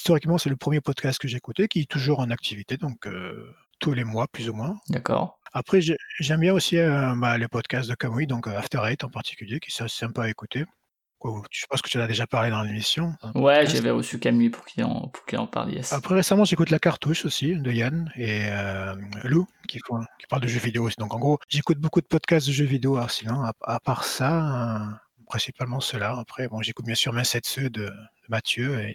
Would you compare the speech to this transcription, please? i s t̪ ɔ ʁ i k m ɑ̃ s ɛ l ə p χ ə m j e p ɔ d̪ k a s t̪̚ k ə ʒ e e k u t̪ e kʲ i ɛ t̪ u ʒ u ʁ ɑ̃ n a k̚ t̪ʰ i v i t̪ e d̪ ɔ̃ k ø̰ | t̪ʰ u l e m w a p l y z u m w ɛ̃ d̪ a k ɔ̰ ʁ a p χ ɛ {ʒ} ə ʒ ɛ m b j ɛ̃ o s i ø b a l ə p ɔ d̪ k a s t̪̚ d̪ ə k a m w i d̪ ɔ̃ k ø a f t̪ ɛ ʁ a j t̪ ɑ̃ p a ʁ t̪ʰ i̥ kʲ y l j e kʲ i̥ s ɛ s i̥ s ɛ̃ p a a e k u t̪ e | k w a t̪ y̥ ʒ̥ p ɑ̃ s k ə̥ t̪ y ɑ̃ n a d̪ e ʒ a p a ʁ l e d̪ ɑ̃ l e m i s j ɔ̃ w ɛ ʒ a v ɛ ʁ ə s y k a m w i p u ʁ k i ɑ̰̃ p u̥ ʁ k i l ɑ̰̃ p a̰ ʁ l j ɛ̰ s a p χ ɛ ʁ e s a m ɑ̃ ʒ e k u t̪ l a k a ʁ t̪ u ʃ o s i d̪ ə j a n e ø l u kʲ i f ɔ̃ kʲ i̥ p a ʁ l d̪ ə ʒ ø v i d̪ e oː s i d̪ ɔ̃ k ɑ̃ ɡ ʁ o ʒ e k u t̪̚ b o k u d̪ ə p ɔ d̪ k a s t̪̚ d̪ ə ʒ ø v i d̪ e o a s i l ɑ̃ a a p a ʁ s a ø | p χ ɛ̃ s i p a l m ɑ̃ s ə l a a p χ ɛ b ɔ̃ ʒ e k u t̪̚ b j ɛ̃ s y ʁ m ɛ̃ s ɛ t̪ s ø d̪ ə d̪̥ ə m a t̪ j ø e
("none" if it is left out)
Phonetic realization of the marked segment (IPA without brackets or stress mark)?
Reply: ʒ